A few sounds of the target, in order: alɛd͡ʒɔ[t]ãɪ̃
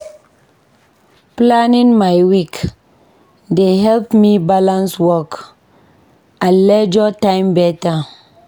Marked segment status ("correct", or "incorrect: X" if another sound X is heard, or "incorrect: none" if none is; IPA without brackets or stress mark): correct